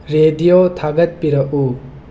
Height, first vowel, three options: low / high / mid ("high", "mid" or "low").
mid